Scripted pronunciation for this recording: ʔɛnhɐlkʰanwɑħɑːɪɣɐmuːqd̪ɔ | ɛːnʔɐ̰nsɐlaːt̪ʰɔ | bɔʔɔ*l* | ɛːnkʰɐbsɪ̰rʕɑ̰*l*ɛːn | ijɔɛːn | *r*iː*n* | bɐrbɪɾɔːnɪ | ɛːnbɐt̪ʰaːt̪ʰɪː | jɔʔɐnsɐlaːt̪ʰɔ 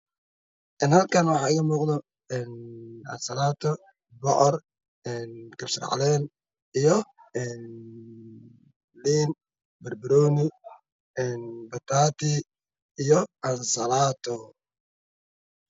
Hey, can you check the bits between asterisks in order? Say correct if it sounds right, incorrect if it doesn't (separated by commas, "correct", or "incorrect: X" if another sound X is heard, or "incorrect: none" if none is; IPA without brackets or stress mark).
incorrect: r, correct, incorrect: l, correct